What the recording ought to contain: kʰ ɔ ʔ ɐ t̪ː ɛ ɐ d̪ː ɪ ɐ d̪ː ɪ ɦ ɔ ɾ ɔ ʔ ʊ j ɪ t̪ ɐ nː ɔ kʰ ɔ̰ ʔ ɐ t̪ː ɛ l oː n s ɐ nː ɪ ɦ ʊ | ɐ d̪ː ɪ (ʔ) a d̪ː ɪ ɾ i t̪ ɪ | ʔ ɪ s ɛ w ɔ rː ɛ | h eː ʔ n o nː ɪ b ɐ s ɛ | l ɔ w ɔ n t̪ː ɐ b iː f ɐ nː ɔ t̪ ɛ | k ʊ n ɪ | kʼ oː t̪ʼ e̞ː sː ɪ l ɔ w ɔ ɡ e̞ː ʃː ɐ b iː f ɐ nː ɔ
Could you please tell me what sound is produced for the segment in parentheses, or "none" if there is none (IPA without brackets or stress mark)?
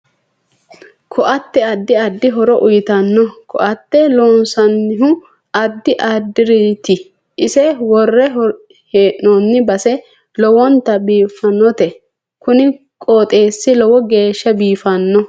ʔ